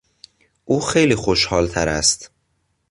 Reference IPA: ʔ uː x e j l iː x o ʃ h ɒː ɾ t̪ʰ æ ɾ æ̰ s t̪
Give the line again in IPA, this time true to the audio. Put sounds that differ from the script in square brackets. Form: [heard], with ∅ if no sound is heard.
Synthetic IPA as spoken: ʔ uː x e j l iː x o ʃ h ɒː [l] t̪ʰ æ ɾ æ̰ s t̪